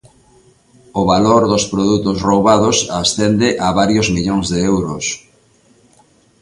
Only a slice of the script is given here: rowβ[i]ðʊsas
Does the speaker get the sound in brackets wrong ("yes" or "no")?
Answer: yes